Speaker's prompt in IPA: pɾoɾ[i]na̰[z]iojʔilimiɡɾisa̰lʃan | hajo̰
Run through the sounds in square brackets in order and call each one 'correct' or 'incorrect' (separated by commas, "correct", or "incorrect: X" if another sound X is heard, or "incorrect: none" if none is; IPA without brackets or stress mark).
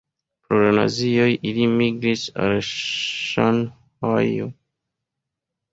incorrect: a, correct